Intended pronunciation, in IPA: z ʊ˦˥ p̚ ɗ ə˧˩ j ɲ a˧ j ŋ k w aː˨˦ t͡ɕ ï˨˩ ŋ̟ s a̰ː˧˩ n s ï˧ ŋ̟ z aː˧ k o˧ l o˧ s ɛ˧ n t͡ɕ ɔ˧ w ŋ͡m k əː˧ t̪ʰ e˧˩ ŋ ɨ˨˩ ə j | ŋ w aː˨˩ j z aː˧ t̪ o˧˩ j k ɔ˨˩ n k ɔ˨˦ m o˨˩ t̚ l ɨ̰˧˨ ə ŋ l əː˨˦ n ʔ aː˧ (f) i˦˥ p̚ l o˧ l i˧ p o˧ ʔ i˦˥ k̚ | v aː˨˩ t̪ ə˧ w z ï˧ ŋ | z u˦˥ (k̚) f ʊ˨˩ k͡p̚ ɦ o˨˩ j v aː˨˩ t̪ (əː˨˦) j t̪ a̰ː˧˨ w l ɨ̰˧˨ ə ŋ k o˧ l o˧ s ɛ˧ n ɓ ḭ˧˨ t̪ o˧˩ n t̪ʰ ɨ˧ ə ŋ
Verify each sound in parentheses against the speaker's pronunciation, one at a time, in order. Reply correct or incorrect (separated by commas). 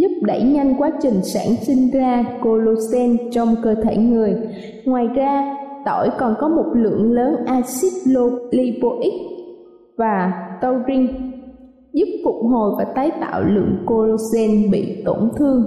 incorrect, incorrect, incorrect